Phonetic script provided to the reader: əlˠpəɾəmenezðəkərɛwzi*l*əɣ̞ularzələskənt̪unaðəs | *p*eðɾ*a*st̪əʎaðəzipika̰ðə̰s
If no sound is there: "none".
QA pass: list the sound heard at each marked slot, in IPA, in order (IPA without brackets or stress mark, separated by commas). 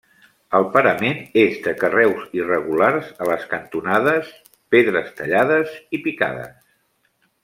r, p, ə